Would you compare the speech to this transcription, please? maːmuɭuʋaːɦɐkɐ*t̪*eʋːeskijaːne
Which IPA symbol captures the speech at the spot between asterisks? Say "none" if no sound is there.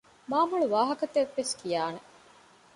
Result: t̪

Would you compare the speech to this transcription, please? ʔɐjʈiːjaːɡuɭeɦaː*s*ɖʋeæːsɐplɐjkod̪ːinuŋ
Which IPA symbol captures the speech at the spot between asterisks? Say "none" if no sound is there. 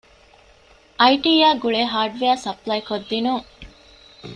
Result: none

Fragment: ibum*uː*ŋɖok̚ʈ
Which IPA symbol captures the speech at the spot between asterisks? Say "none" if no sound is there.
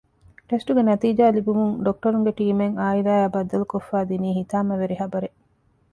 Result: u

